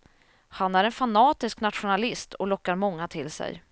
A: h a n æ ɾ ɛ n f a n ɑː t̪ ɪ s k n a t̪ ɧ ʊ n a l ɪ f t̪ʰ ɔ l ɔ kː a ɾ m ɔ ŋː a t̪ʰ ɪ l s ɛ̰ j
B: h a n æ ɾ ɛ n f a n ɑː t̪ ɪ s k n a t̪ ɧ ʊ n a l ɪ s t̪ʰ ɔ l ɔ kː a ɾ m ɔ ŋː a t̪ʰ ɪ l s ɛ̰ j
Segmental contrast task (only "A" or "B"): B